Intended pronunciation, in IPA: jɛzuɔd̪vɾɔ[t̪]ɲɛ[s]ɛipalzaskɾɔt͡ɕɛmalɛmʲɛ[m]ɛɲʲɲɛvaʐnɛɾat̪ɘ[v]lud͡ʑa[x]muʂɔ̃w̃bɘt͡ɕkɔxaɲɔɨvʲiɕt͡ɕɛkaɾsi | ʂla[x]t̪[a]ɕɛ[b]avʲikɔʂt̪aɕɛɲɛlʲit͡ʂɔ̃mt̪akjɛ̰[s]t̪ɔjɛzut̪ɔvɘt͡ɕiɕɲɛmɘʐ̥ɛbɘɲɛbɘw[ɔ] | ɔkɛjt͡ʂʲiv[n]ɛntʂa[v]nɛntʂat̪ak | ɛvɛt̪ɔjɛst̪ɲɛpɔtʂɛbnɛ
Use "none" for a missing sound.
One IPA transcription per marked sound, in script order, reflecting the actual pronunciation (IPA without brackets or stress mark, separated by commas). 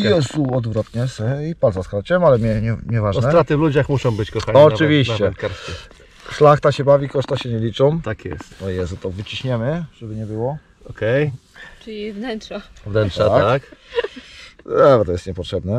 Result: t̪, s, ɲ, v, x, x, a, b, s, ɔ, n, v